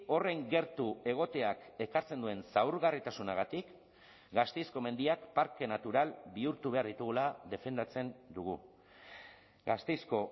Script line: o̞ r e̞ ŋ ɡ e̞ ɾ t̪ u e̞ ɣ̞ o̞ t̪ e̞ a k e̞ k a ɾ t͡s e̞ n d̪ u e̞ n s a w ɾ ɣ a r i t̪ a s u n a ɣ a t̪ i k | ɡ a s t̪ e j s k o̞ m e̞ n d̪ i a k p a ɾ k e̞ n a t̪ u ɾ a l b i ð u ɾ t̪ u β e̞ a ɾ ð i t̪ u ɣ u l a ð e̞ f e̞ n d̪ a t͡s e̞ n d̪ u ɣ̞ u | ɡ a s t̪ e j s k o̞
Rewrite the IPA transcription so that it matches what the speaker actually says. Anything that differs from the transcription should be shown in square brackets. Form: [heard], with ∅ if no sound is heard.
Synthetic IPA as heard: o̞ r e̞ ŋ ɡ e̞ ɾ t̪ u e̞ ɣ̞ o̞ t̪ e̞ a k e̞ k a ɾ t͡s e̞ n d̪ u e̞ n s a w ɾ ɣ a r i t̪ a s u n a ɣ a t̪ i k | ɡ a s t̪ e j s k o̞ m e̞ n d̪ i a k p a ɾ k e̞ n a t̪ u ɾ a l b i [∅] u ɾ t̪ u β e̞ a ɾ ð i t̪ u ɣ u l a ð e̞ f e̞ n d̪ a t͡s e̞ n d̪ u ɣ̞ u | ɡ a s t̪ e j s k o̞